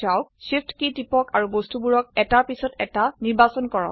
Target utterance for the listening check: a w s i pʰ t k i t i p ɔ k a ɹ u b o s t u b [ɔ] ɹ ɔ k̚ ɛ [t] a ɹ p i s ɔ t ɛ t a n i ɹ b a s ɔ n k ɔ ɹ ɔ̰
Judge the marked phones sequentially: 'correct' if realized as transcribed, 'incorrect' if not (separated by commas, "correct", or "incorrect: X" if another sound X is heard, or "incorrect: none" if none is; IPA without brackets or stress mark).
incorrect: u, correct